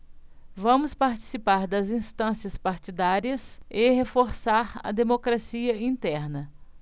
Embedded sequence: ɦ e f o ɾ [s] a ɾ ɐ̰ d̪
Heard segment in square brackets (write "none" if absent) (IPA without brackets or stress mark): s